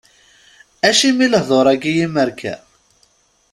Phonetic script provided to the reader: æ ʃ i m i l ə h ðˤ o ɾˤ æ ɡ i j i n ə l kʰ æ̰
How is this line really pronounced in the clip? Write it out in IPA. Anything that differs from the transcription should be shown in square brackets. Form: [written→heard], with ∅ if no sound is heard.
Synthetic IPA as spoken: æ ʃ i m i l ə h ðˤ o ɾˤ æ ɡ i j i [n→m] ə [l→ɾ] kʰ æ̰